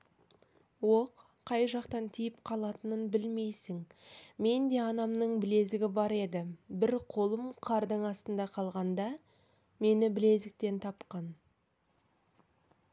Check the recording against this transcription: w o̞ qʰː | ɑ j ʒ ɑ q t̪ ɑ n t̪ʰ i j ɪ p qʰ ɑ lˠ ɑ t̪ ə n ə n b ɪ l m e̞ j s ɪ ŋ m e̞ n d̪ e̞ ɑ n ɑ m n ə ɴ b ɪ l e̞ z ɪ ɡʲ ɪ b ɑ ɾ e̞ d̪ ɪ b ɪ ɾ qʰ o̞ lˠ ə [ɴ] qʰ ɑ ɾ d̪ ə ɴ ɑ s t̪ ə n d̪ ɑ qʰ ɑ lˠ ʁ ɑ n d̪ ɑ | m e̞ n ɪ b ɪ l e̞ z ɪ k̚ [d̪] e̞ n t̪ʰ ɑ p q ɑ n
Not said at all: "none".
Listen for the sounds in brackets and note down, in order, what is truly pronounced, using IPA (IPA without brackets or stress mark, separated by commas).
m, t̪